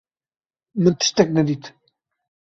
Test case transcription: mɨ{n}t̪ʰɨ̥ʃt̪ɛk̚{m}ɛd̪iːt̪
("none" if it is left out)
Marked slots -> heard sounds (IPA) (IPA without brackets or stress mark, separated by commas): n, n